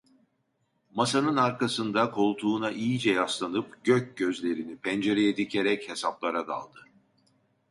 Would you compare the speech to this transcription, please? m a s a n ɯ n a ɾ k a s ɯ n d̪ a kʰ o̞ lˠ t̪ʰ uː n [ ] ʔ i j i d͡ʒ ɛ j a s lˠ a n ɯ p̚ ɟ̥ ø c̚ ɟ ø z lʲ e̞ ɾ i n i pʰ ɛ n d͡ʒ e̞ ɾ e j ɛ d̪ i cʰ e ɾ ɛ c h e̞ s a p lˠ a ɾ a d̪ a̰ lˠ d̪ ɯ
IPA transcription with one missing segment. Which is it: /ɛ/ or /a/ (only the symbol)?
a